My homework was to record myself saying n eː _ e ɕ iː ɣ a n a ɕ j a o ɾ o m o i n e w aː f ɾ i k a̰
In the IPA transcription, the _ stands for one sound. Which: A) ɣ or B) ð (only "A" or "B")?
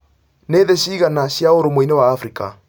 B